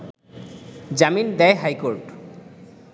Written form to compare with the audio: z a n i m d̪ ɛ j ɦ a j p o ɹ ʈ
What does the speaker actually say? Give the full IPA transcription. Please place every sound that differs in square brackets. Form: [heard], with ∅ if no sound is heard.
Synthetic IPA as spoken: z a [m] i [n] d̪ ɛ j ɦ a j [k] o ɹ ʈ